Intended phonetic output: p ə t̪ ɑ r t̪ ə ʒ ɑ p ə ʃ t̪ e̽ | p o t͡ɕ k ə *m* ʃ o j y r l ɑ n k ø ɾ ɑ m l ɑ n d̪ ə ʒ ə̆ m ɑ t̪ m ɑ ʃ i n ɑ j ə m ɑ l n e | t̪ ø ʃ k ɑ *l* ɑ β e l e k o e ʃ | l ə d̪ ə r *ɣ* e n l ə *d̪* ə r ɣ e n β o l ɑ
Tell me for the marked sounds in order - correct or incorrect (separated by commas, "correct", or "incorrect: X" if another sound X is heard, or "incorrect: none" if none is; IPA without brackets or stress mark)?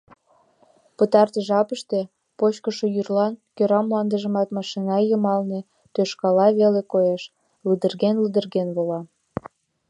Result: incorrect: none, correct, correct, correct